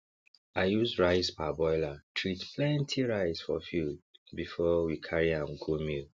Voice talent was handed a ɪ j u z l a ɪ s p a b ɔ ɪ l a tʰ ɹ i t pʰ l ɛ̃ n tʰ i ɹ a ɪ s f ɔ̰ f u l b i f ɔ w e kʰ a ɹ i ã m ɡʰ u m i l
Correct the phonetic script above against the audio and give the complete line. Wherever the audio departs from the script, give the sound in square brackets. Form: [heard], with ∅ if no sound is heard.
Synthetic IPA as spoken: a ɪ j u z [ɹ] a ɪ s p a b ɔ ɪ l a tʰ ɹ i t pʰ l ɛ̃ n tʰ i ɹ a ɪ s f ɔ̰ f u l b i f ɔ w [i] kʰ a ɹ i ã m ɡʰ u m i l